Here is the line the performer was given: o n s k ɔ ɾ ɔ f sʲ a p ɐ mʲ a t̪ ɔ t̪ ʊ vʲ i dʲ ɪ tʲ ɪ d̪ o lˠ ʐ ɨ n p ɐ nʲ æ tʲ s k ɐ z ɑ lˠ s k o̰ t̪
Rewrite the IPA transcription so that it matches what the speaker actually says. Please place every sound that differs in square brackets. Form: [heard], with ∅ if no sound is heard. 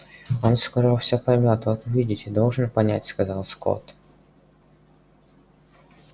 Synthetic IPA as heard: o n s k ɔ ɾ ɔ f sʲ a p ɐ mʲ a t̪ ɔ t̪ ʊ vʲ i dʲ ɪ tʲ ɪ d̪ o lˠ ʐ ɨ n p ɐ nʲ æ tʲ s k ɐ z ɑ lˠ s k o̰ t̪